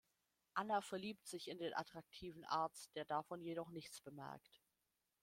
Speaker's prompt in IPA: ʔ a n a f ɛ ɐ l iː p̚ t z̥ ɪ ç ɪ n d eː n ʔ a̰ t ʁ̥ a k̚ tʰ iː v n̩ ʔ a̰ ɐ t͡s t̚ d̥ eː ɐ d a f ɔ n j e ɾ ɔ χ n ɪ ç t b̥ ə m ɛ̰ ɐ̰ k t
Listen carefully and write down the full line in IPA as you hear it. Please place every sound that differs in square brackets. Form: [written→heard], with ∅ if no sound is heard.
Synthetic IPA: ʔ a n a f ɛ ɐ l iː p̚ t z̥ ɪ ç ɪ n d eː n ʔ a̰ t ʁ̥ a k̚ tʰ iː v n̩ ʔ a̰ ɐ t͡s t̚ d̥ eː ɐ d a f ɔ n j e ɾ ɔ χ n ɪ ç [t→t͡s] b̥ ə m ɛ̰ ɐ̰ k t

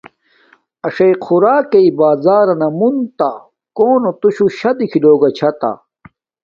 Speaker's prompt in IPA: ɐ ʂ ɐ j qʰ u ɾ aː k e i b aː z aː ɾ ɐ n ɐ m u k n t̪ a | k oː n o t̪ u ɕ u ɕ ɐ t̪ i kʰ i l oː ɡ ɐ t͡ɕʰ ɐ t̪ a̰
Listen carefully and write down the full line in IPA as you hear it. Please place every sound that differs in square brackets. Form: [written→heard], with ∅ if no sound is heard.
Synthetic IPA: ɐ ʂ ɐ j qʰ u ɾ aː k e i b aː z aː ɾ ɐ n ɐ m u [k→∅] n t̪ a | k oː n o t̪ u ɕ u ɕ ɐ [t̪→d̪] i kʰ i l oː ɡ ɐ t͡ɕʰ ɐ t̪ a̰

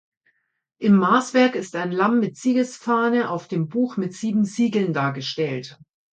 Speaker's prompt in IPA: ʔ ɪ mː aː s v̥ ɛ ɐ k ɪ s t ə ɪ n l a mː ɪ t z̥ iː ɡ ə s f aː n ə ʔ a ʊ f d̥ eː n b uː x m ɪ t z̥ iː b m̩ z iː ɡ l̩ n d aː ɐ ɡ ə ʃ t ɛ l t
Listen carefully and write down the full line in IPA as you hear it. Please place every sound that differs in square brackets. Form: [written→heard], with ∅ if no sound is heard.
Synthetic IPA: ʔ ɪ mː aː s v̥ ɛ ɐ k ɪ s t [ə→a] ɪ n l a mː ɪ t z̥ iː ɡ ə s f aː n ə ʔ a ʊ f d̥ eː [n→m] b uː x m ɪ t z̥ iː b m̩ z iː ɡ l̩ n d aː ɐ ɡ ə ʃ t ɛ l t

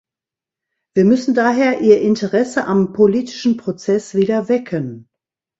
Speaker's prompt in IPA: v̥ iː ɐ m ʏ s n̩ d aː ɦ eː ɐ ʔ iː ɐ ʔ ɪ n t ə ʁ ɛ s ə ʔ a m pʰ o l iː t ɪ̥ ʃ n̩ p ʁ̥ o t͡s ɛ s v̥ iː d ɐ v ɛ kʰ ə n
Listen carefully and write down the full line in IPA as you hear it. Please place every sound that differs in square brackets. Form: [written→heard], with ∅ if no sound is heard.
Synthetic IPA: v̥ iː ɐ m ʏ s n̩ d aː ɦ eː ɐ ʔ iː ɐ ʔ ɪ n t ə ʁ ɛ s ə ʔ a m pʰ o l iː t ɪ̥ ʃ n̩ p ʁ̥ o t͡s ɛ s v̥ iː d ɐ v ɛ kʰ ə n

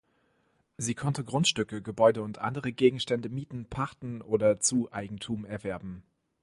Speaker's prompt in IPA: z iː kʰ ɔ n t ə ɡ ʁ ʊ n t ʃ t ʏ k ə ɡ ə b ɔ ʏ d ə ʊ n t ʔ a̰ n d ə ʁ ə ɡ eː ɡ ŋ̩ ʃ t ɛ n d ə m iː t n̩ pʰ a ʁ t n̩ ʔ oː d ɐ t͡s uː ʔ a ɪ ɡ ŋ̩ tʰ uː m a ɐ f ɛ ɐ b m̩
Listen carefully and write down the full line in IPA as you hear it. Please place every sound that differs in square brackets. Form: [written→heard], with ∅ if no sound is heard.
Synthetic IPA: z iː kʰ ɔ n t ə ɡ ʁ ʊ n t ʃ t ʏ k ə ɡ ə b ɔ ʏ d ə ʊ n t ʔ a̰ n d ə ʁ ə ɡ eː ɡ ŋ̩ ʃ t ɛ n d ə m iː t n̩ pʰ a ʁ t n̩ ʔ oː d ɐ t͡s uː ʔ a ɪ ɡ ŋ̩ tʰ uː m [a→ɛ] ɐ [f→v] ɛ ɐ b m̩

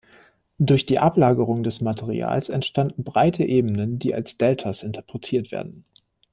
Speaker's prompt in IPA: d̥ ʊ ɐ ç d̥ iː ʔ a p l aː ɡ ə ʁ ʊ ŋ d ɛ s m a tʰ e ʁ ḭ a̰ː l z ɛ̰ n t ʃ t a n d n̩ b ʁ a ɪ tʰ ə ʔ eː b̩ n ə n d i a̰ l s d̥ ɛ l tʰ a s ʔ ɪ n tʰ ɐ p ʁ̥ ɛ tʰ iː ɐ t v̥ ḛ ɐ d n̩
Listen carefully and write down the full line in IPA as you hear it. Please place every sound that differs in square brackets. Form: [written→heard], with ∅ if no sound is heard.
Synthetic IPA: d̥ ʊ ɐ ç d̥ iː ʔ a p l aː ɡ ə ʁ ʊ ŋ d ɛ s m a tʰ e ʁ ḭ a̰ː l [z→s] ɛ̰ n t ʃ t a n d n̩ b ʁ a ɪ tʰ ə ʔ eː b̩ n ə n d [i→iː] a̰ l s d̥ ɛ l tʰ a s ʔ ɪ n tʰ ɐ p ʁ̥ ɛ tʰ iː ɐ t v̥ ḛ ɐ d n̩

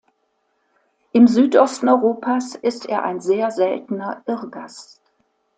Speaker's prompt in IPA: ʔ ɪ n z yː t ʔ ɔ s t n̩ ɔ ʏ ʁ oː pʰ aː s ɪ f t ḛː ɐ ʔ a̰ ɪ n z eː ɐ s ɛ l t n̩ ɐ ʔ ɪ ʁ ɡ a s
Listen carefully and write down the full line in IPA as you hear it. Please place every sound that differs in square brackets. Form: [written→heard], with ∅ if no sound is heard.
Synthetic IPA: ʔ ɪ [n→m] z yː t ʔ ɔ s t n̩ ɔ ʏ ʁ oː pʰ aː s ɪ [f→s] t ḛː ɐ ʔ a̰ ɪ n z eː ɐ [s→z] ɛ l t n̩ ɐ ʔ ɪ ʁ ɡ a s

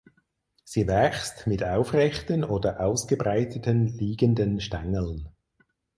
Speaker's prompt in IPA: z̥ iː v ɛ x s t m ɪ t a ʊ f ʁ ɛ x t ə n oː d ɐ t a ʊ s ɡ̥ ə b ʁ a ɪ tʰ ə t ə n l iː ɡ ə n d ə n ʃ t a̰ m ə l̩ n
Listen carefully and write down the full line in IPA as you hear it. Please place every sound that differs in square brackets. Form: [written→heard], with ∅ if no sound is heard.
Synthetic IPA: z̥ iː v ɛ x s t m ɪ t a ʊ f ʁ ɛ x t ə n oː d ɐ [t→ʔ] a ʊ s ɡ̥ ə b ʁ a ɪ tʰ ə t ə n l iː ɡ ə n d ə n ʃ t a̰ [m→ŋ] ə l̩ n

